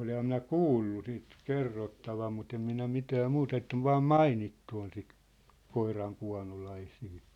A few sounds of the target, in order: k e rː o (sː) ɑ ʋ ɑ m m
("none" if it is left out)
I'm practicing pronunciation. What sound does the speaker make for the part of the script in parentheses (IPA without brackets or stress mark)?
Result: tː